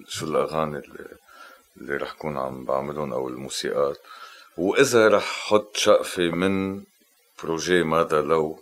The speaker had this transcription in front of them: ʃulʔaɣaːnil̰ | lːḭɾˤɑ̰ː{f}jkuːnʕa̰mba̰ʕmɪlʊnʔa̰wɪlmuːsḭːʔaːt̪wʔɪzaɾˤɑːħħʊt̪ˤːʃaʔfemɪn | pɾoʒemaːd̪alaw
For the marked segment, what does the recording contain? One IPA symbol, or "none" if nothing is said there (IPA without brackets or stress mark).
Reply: ħ